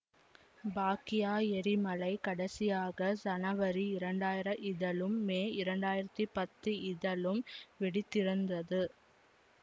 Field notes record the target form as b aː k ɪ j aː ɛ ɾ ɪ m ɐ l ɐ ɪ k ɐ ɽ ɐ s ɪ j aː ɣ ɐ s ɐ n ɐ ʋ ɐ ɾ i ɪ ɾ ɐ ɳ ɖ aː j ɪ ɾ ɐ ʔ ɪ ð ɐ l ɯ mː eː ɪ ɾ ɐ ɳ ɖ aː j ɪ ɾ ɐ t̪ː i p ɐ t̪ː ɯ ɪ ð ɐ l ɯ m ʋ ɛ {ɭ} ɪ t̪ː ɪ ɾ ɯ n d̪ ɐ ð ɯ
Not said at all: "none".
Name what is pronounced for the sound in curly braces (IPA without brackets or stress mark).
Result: ɽ